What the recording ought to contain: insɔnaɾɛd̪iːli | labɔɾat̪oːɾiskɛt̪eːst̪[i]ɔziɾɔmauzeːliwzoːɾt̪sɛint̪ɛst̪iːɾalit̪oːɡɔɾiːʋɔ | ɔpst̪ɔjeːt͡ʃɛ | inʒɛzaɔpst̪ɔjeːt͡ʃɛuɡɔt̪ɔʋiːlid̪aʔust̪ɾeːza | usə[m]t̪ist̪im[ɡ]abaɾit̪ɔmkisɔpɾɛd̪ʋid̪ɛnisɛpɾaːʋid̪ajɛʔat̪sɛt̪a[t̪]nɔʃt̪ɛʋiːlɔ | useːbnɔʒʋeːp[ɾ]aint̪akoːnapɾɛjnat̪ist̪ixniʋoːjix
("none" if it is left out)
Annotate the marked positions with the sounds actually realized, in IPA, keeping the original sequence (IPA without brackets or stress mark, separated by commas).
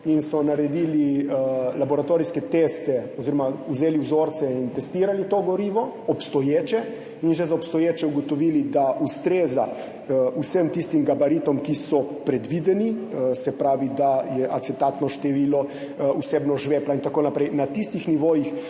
ɛ, m, ɡ, t̪, l